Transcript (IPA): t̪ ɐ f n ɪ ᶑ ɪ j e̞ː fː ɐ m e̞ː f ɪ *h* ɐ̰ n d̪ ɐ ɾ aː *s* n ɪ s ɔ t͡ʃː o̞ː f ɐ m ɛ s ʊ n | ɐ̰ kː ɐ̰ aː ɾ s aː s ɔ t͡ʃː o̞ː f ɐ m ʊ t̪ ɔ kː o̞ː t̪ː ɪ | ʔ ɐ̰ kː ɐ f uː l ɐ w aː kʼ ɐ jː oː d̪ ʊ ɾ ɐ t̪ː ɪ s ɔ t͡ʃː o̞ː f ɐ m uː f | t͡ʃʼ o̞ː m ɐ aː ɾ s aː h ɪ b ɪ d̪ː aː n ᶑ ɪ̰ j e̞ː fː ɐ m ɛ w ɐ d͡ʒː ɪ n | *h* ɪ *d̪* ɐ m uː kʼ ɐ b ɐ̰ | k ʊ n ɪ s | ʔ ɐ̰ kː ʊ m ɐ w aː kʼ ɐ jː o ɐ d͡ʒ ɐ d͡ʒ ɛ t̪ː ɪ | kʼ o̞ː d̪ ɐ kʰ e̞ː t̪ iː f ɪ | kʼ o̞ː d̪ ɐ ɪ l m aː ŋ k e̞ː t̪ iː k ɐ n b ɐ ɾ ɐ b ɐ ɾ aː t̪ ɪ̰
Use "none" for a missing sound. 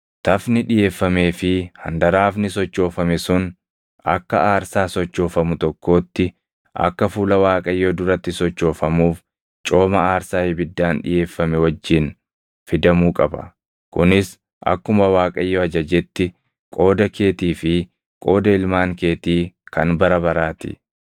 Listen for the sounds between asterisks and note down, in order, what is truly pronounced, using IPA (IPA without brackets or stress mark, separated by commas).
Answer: h, f, f, d̪